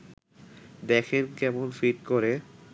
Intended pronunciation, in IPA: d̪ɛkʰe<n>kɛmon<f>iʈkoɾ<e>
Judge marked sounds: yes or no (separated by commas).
yes, yes, yes